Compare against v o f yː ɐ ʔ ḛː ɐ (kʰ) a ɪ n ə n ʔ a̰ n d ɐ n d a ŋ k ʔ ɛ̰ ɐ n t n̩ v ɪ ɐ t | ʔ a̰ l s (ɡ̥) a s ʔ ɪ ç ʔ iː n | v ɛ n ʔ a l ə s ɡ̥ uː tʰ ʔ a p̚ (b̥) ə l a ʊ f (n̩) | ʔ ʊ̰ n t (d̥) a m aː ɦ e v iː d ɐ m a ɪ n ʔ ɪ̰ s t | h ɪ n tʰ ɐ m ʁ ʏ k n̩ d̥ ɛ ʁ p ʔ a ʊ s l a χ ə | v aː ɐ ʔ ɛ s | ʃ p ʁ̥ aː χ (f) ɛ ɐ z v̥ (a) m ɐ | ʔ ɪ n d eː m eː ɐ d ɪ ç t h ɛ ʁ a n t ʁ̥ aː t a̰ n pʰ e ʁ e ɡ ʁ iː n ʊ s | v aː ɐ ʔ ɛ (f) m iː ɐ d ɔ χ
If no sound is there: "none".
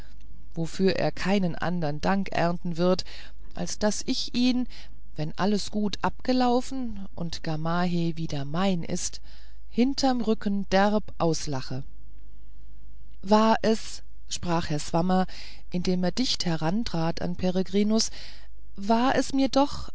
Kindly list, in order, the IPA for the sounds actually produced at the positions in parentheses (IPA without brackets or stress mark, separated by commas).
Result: kʰ, d̥, ɡ̥, n̩, ɡ̥, h, a, s